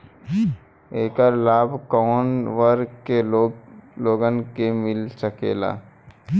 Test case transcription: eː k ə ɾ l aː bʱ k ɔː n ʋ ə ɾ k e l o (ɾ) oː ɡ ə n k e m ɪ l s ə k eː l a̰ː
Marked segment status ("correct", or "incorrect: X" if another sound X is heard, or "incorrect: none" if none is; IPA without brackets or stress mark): incorrect: l